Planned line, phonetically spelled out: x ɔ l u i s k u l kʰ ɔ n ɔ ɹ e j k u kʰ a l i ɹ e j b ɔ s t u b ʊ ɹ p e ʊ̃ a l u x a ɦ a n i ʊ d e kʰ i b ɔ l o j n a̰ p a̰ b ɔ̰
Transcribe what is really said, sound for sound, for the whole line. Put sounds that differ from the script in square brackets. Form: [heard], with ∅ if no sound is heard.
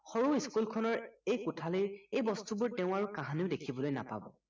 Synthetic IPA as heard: x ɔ [ɹ] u i s k u l kʰ ɔ n ɔ ɹ e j k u [tʰ] a l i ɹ e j b ɔ s t u b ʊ ɹ [t] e ʊ̃ a [ɹ] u [k] a ɦ a n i ʊ d e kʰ i b ɔ l o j n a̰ p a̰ b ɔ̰